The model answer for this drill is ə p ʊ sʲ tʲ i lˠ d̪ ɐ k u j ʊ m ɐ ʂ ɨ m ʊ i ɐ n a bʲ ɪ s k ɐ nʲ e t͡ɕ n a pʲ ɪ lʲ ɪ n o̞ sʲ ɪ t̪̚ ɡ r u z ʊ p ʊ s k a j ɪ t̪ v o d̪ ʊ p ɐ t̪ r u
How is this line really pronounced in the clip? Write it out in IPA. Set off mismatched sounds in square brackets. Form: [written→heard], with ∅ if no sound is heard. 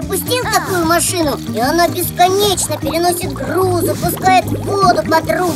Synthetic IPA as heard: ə p ʊ sʲ tʲ i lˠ [d̪→t̪] ɐ k u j ʊ m ɐ ʂ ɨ [m→n] ʊ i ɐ n a bʲ ɪ s k ɐ nʲ e t͡ɕ n [a→ə] pʲ ɪ [lʲ→ɾʲ] ɪ n o̞ sʲ ɪ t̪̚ ɡ r u z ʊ p ʊ s k a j ɪ t̪ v o d̪ ʊ p ɐ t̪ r u